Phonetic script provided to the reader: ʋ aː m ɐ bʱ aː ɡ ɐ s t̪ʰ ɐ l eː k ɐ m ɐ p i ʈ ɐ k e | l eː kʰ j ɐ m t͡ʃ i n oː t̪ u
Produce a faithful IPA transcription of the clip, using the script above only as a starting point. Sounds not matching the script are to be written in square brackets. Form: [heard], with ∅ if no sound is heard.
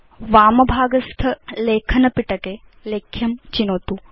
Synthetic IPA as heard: ʋ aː m ɐ bʱ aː ɡ ɐ s t̪ʰ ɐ l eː [kʰ] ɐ [n] ɐ p i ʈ ɐ k e | l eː kʰ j ɐ m t͡ʃ i n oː t̪ u